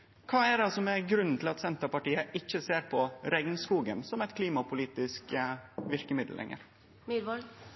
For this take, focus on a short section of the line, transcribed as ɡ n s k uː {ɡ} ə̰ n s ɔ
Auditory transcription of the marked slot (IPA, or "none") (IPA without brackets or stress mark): ɡ